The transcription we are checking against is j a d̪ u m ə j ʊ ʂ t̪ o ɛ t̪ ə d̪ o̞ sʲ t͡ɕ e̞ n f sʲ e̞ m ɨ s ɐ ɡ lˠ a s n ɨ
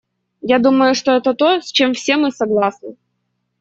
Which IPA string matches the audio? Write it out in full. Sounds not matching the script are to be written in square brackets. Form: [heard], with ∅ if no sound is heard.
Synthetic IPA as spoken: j a d̪ u m ə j ʊ ʂ t̪ o ɛ t̪ ə [t̪] o̞ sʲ t͡ɕ e̞ [m] f sʲ e̞ m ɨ s ɐ ɡ lˠ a s n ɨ